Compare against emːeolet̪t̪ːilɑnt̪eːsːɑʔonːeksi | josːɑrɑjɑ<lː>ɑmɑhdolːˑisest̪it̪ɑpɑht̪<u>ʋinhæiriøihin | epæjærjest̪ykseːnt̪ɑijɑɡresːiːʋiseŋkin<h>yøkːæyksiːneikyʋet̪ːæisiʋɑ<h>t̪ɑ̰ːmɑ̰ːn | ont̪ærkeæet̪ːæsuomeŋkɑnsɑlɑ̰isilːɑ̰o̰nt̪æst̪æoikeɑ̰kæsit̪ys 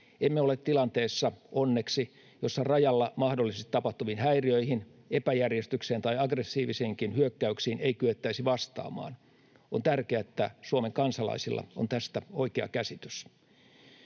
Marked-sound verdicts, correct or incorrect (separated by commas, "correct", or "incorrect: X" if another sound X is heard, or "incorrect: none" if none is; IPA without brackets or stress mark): correct, correct, correct, incorrect: s